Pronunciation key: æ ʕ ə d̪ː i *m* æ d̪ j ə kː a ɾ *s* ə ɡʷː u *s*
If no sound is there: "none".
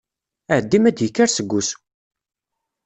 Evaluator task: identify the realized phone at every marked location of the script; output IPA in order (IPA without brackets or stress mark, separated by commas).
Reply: m, s, s